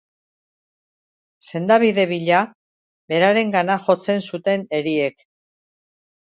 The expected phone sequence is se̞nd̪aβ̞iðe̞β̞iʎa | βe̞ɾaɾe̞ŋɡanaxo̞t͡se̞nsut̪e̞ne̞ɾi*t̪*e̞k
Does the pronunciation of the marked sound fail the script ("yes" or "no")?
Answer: yes